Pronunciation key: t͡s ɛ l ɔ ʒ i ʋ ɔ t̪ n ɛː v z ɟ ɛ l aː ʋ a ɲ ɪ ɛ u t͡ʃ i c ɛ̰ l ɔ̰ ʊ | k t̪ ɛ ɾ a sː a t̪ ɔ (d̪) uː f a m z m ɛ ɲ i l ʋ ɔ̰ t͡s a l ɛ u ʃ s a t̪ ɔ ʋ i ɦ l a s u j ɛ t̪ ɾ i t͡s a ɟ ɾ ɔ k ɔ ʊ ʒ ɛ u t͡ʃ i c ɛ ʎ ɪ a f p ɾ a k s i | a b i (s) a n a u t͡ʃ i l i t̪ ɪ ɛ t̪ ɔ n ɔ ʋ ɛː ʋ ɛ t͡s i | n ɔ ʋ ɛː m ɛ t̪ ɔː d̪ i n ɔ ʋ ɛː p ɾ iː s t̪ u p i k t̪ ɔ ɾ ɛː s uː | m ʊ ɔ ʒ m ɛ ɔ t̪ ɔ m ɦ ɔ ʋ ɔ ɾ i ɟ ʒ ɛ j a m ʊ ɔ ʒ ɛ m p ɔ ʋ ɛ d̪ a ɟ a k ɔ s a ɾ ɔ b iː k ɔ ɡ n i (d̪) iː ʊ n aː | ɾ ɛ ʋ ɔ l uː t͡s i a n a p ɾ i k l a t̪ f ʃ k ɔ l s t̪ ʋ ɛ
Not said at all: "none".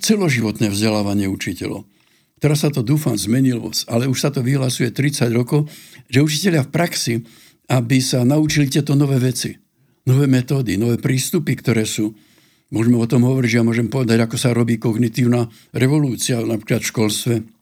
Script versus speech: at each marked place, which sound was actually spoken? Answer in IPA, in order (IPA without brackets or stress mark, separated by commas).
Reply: d̪, s, t̪